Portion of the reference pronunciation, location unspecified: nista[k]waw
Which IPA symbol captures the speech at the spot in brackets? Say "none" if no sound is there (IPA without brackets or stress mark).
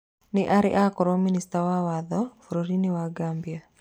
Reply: none